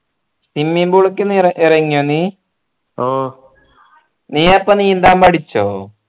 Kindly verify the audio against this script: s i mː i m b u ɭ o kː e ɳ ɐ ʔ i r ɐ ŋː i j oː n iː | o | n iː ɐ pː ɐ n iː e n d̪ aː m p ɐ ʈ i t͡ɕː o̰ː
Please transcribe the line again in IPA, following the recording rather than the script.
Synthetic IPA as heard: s i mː i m b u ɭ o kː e n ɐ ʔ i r ɐ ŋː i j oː n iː | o | n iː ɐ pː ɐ n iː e n d̪ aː m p ɐ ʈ i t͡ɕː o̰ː